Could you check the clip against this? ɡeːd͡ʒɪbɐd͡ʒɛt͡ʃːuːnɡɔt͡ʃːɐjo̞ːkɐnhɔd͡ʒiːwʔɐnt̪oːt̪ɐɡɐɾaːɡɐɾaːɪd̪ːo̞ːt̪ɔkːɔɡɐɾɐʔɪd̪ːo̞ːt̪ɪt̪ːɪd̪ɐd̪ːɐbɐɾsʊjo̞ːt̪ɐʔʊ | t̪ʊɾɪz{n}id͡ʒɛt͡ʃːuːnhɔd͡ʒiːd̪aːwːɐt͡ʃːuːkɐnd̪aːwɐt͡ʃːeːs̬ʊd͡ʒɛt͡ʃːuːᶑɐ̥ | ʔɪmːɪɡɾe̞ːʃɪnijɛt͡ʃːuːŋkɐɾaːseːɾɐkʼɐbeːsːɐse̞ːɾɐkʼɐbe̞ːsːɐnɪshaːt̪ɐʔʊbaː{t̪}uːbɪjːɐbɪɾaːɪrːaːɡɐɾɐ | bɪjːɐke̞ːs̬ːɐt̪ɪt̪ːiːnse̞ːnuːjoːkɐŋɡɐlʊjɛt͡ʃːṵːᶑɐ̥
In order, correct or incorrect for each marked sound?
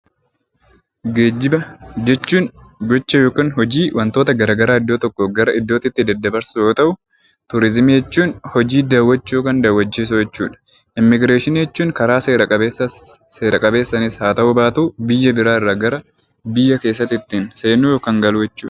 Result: incorrect, correct

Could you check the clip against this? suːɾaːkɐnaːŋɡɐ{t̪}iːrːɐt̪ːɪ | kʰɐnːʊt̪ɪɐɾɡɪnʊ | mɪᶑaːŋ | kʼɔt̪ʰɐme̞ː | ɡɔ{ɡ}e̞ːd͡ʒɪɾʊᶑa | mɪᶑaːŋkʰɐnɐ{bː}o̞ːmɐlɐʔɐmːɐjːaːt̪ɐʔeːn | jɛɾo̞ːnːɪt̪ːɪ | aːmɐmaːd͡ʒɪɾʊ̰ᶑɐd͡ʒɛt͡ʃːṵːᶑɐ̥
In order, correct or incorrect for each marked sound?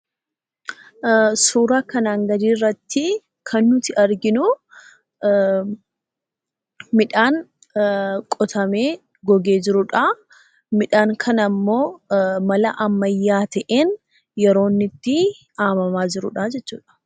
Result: incorrect, correct, incorrect

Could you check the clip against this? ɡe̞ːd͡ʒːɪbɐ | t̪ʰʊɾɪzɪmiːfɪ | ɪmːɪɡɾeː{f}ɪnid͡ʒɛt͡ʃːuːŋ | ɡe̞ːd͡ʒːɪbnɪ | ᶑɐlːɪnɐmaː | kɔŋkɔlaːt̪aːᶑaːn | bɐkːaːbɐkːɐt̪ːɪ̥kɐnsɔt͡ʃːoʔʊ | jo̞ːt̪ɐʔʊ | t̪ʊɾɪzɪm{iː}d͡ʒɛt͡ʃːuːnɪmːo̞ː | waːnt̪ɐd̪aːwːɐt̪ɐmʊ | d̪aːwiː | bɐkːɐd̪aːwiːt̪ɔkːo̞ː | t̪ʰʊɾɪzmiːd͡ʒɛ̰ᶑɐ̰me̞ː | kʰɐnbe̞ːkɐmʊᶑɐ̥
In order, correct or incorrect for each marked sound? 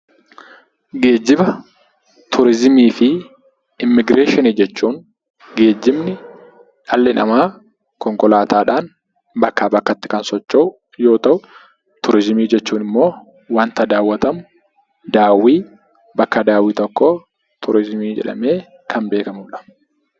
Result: incorrect, correct

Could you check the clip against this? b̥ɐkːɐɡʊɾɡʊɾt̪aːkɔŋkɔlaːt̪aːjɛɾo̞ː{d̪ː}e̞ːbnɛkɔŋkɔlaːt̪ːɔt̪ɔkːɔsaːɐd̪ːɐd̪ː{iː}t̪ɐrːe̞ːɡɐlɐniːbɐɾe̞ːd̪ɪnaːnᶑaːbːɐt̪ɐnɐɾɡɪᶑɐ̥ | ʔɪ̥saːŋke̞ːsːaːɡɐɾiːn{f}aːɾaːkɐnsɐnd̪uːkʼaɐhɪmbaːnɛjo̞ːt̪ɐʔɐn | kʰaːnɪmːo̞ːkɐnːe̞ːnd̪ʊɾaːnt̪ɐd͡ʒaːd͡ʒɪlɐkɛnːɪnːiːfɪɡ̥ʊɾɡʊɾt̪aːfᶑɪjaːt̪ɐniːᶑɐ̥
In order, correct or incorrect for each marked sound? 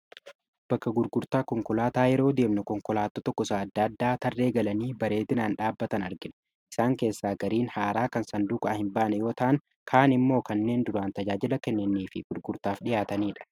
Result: incorrect, incorrect, incorrect

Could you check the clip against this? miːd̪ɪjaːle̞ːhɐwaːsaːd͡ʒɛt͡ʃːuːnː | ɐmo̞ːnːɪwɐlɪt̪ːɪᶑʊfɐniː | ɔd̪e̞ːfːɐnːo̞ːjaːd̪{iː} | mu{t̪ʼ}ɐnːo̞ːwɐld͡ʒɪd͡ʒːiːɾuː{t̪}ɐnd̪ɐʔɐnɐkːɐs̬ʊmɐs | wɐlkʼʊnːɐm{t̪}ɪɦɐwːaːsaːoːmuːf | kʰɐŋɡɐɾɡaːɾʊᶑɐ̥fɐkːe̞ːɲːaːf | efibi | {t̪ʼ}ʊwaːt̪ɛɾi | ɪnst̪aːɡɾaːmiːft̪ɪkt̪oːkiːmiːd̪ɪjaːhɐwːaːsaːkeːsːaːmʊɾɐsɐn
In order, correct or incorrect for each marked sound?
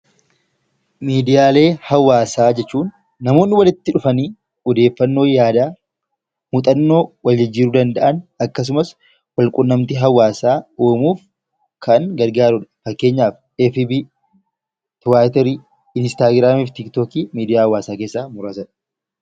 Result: incorrect, correct, incorrect, correct, incorrect

